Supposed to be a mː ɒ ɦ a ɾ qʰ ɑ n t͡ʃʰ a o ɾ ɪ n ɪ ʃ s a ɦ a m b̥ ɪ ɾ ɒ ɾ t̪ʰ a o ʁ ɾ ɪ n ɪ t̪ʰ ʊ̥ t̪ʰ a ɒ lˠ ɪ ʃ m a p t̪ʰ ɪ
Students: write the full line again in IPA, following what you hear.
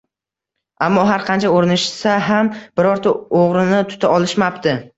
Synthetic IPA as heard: a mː ɒ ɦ a ɾ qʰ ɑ n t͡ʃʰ a o ɾ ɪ n ɪ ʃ s a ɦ a m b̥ ɪ ɾ ɒ ɾ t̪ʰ a o ʁ ɾ ɪ n ɪ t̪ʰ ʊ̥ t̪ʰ a ɒ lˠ ɪ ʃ m a p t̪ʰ ɪ